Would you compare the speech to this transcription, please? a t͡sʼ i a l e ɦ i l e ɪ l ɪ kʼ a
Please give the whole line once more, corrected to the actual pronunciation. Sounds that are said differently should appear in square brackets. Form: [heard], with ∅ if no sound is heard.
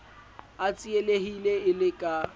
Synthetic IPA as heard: a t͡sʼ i [e] l e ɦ i l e ɪ l ɪ kʼ a